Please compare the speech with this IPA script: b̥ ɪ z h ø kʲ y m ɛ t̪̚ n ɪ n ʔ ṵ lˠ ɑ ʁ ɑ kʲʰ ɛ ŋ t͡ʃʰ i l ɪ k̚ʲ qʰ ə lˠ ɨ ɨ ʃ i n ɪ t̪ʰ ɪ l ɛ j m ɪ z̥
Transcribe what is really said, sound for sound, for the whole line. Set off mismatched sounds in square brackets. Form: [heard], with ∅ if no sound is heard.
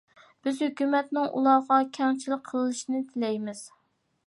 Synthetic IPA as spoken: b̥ ɪ z h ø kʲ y m ɛ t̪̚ n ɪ [ŋ] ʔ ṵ lˠ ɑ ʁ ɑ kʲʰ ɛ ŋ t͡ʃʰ i l ɪ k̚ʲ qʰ ə lˠ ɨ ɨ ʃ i n ɪ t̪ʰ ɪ l ɛ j m ɪ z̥